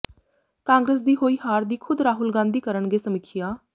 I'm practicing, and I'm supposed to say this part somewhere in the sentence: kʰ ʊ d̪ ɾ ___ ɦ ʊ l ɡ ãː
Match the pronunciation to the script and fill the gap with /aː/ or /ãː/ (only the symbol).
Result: aː